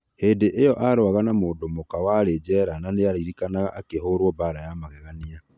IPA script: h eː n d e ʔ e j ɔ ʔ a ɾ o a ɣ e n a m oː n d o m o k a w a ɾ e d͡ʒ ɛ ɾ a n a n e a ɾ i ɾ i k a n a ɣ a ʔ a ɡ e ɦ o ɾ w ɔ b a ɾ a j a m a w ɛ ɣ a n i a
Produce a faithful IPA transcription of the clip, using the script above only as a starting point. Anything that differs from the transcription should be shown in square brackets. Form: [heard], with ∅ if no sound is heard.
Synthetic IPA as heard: h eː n d e ʔ e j ɔ ʔ a ɾ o a ɣ [a] n a m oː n d o m o k a w a ɾ e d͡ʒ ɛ ɾ a n a n e a ɾ i ɾ i k a n a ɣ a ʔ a [k] e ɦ o ɾ w ɔ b a ɾ a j a m a [ɣ] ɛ ɣ a n i a